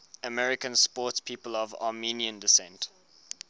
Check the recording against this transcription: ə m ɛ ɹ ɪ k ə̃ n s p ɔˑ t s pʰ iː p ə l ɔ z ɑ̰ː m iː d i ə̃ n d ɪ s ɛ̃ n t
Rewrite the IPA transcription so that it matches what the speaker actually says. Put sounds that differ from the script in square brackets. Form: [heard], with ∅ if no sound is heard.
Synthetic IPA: ə m ɛ ɹ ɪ k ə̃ n s p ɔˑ t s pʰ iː p ə l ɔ [v] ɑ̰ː m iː [n] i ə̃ n d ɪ s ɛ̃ n t